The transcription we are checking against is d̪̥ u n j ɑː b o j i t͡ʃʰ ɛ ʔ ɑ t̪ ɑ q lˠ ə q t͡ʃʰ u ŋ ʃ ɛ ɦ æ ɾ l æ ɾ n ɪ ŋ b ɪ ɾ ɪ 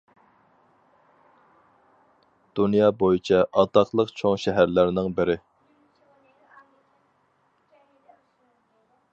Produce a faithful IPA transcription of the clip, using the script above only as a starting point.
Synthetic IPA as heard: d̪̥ u n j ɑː b o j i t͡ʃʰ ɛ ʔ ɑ t̪ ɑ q lˠ ə q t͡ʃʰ o ŋ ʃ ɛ ɦ æ ɾ l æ ɾ n ɪ ŋ b ɪ ɾ ɪ